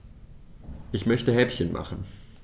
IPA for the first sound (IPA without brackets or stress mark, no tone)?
ʔ